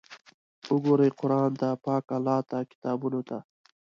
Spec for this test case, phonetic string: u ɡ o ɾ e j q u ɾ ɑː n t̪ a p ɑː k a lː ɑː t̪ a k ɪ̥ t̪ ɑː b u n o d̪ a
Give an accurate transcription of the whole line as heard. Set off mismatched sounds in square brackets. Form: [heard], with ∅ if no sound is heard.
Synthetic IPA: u ɡ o ɾ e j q [ʊ] ɾ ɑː n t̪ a p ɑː k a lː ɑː t̪ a k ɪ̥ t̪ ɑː b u n o [t̪] a